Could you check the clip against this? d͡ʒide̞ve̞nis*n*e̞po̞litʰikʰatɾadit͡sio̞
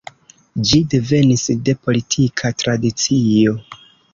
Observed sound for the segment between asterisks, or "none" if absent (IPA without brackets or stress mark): d